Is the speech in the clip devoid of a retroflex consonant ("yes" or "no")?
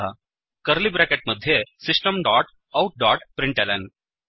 no